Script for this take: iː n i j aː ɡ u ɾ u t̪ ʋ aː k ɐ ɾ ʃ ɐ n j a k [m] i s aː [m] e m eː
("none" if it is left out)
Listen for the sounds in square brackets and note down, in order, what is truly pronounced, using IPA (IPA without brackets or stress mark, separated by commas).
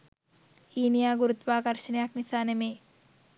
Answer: n, n